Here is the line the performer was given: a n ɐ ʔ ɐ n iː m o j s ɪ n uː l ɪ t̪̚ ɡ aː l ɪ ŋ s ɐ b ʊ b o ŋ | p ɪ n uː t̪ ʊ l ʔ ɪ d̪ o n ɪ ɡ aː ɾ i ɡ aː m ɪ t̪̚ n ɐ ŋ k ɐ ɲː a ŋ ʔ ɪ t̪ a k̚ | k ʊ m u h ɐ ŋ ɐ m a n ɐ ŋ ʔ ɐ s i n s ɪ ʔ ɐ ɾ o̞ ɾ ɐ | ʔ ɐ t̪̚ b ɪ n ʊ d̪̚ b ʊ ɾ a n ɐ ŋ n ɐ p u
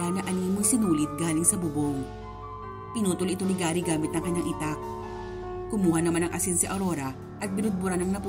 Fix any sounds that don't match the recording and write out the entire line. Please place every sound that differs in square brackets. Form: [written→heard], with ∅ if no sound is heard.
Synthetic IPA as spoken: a n ɐ ʔ ɐ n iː m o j s ɪ n uː l ɪ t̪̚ ɡ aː l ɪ ŋ s ɐ b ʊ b o ŋ | p ɪ n uː t̪ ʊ l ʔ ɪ [d̪→t̪] o n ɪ ɡ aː ɾ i ɡ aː m ɪ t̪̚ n ɐ ŋ k ɐ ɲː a ŋ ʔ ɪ t̪ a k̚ | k ʊ m [u→uː] h ɐ [ŋ→n] ɐ m a n ɐ ŋ ʔ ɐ s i n s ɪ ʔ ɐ ɾ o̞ ɾ ɐ | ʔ ɐ t̪̚ b ɪ n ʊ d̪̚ b ʊ ɾ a n ɐ ŋ n ɐ p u